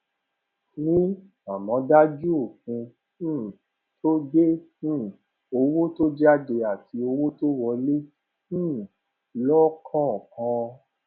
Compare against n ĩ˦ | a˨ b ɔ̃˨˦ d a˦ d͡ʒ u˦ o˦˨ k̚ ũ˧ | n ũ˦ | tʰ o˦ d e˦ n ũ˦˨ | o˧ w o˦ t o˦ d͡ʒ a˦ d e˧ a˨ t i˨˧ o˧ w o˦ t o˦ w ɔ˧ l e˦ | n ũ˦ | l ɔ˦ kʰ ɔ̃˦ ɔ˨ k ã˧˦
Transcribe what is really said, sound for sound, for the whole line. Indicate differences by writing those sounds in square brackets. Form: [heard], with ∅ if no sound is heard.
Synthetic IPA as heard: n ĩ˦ | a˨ [m] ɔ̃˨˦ d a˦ d͡ʒ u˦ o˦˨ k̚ ũ˧ | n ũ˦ | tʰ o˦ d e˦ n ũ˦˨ | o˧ w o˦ t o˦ d͡ʒ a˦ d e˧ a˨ t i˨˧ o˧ w o˦ t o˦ w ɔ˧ l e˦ | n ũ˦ | l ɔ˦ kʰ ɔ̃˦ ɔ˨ k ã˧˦